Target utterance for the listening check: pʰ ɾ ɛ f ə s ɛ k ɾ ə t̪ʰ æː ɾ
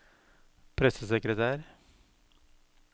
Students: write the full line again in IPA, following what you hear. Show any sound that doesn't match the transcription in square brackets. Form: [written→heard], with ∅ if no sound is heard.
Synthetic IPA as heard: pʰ ɾ ɛ [f→s] ə s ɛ k ɾ ə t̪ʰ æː ɾ